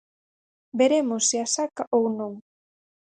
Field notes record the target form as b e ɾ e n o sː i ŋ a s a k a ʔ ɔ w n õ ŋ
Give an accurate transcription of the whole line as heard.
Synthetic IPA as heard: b e ɾ e m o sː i a s a k a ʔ o w n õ ŋ

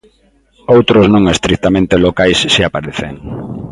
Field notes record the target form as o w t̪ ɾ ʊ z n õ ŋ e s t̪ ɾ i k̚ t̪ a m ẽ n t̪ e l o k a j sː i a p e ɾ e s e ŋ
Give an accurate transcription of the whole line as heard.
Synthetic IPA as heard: o w t̪ ɾ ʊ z n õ ŋ e s t̪ ɾ i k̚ t̪ a m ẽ n t̪ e l o k a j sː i a p a ɾ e θ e ŋ

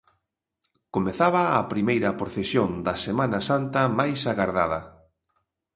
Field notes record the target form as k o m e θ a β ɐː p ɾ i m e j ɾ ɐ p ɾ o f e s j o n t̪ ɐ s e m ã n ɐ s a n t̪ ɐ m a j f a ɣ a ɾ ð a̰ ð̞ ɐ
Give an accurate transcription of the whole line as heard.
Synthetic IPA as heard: k o m e θ a β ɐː p ɾ i m e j ɾ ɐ p ɾ o θ e s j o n d̪ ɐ s e m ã n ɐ s a n t̪ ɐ m a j s a ɣ a ɾ ð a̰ ð̞ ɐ

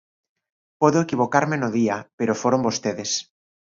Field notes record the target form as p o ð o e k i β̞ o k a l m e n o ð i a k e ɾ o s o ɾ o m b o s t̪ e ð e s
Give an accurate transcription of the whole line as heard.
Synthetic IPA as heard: p o ð o e k i β̞ o k a ɾ m e n o ð i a p e ɾ o f o ɾ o m b o s t̪ e ð e s

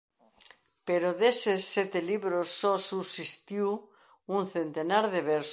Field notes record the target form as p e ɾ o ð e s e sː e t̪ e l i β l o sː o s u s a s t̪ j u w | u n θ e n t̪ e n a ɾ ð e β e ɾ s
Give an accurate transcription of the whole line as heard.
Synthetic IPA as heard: p e ɾ o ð e s e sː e t̪ e l i β ɾ o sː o s u s i s t̪ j u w | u n θ e n t̪ e n a ɾ ð e β e ɾ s

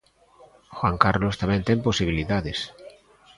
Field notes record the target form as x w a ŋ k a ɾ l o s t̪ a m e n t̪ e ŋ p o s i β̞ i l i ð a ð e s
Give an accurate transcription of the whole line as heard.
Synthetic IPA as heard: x w a ŋ k a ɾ l o s t̪ a m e n t̪ e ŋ p o s i β̞ i l i ð a ð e s

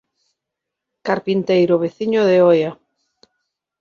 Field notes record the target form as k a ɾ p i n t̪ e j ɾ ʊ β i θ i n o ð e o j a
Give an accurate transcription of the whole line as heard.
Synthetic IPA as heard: k a ɾ p i n t̪ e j ɾ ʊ β e θ i ɲ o ð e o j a

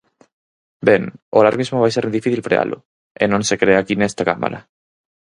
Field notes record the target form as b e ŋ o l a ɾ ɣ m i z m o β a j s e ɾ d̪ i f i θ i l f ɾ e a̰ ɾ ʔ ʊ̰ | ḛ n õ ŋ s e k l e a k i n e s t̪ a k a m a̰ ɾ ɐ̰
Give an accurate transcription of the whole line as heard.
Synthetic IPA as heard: b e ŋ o l a ɾ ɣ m i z m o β a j s e ɾ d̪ i f i θ i l f ɾ e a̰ l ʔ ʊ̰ | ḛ n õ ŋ s e k ɾ e a k i n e s t̪ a k a m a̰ ɾ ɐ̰

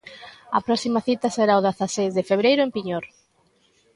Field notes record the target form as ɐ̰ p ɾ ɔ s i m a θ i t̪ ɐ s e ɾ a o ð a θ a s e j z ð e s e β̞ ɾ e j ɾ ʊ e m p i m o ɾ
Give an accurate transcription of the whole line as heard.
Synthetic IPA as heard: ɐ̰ p ɾ ɔ s i m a θ i t̪ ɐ s e ɾ a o ð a θ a s e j z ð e f e β̞ ɾ e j ɾ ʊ e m p i ɲ o ɾ

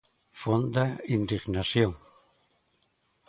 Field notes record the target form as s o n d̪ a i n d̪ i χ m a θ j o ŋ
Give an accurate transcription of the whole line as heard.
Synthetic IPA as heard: f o n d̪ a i n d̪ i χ n a s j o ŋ

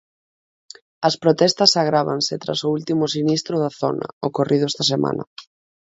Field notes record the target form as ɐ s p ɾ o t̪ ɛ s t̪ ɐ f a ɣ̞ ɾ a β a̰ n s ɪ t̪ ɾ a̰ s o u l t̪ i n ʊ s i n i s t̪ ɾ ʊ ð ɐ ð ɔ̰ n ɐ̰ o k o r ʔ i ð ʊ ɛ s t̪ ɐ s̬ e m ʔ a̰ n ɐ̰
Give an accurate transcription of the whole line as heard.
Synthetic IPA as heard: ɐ s p ɾ o t̪ ɛ s t̪ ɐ s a ɣ̞ ɾ a β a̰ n s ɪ t̪ ɾ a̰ s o u l t̪ i m ʊ s i n i s t̪ ɾ ʊ ð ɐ θ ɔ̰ n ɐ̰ o k o r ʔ i ð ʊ ɛ s t̪ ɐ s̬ e m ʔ a̰ n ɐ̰

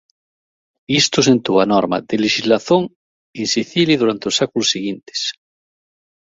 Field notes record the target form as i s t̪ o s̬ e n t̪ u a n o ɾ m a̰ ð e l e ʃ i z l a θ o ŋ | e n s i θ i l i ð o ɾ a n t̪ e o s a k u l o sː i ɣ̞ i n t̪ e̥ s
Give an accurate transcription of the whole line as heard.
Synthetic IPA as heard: i s t̪ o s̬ e n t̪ u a n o ɾ m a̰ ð e l e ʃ i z l a θ o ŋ | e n s i θ i l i ð u ɾ a n t̪ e o s a k u l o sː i ɣ̞ i n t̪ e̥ s

